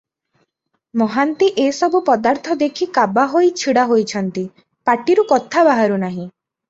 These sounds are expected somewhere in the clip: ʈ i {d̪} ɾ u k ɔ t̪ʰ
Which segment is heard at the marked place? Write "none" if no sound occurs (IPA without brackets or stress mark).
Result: none